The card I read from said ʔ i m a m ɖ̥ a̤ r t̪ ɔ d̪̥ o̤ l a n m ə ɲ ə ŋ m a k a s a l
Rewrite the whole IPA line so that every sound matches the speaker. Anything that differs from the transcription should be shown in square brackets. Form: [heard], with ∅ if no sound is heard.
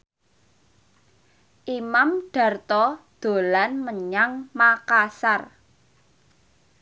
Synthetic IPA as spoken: ʔ i m a m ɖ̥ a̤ r t̪ ɔ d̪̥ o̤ l a n m ə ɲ [a] ŋ m a k a s a [r]